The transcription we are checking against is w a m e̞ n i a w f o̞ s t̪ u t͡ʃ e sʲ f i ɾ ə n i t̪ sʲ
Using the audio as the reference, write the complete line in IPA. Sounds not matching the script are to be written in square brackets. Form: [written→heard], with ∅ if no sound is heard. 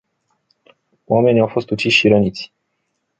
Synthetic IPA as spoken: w a m e̞ n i a w f o̞ s t̪ u t͡ʃ [e→i] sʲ [f→ʃ] i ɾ ə n i t̪ sʲ